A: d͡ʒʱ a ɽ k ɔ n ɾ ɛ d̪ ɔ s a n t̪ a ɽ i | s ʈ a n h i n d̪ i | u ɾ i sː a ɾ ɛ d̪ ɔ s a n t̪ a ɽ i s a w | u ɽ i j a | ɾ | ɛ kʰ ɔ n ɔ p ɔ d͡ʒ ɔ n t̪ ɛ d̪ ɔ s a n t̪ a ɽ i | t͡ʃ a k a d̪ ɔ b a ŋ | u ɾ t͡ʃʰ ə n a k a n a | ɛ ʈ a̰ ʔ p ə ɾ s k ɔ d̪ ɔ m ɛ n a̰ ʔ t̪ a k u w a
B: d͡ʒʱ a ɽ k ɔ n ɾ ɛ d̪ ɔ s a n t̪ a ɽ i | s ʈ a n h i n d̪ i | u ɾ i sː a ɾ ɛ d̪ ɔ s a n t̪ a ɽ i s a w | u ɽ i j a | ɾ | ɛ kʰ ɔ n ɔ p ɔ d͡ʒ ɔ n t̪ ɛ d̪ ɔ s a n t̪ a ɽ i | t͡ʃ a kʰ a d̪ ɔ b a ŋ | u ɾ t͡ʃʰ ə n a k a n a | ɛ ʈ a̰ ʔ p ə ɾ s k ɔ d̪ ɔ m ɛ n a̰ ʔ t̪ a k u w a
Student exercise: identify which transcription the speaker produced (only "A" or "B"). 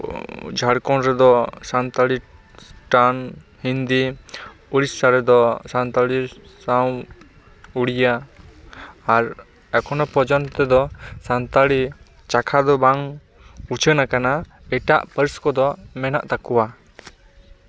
B